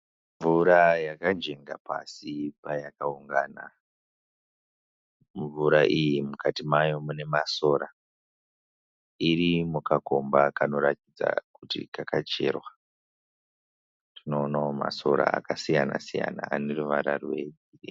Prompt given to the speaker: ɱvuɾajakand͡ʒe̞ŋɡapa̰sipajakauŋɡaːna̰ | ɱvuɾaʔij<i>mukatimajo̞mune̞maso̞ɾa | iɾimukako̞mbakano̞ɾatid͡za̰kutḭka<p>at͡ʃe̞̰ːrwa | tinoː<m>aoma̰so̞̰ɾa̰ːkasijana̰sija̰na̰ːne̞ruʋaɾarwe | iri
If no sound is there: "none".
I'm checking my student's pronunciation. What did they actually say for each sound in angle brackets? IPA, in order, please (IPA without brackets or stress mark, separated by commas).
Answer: i, k, n